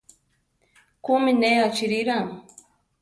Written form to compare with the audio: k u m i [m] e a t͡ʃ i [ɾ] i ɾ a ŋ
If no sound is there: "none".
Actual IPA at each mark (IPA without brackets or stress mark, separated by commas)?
n, ɾ